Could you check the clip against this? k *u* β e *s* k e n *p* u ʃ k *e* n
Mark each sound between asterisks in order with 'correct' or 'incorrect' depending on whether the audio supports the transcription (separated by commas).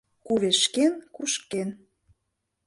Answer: correct, incorrect, incorrect, correct